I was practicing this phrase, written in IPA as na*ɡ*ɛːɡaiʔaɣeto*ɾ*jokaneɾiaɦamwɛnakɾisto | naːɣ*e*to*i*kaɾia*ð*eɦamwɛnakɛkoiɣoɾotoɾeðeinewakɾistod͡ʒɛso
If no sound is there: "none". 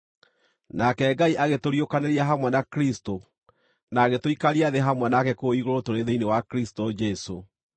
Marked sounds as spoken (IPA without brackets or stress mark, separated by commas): k, ɾ, e, i, ð